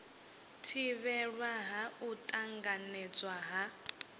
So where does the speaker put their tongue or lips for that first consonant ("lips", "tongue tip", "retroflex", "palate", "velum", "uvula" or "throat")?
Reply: tongue tip